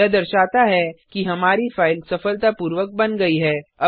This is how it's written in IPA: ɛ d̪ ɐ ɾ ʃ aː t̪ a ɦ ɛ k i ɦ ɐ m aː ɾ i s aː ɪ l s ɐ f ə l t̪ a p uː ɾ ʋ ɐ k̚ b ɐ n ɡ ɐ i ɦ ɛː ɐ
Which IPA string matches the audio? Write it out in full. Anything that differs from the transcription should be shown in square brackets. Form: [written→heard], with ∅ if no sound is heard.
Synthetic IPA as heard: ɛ d̪ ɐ ɾ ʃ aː t̪ a ɦ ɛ k i ɦ ɐ m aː ɾ i [s→f] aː ɪ l s ɐ f ə l t̪ a p uː ɾ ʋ [ɐ→ə] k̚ b ɐ n ɡ ɐ i ɦ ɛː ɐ